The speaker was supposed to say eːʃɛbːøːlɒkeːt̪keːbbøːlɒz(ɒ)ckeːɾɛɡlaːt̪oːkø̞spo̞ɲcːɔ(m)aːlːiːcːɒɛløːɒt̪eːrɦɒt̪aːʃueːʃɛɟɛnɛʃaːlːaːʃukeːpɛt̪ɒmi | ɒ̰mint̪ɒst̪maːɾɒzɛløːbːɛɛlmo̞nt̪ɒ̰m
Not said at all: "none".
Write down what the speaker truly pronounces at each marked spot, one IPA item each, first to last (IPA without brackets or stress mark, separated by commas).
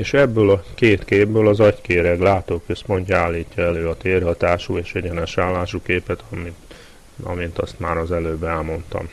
ɒ, none